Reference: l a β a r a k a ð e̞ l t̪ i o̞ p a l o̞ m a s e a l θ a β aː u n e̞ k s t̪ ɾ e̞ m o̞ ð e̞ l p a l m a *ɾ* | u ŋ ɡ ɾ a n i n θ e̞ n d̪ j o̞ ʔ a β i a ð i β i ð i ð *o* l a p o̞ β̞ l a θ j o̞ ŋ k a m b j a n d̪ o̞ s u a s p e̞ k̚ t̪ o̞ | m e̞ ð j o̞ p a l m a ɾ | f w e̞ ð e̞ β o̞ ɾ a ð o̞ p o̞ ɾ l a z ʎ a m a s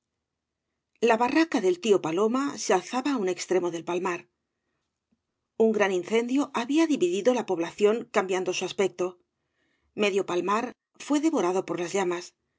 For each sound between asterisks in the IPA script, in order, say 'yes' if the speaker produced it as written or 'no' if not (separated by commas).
yes, yes